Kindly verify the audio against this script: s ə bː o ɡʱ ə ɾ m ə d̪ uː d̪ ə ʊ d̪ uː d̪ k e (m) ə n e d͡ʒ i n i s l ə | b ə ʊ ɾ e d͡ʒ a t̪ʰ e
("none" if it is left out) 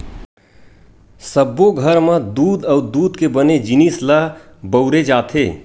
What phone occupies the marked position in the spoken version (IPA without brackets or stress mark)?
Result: b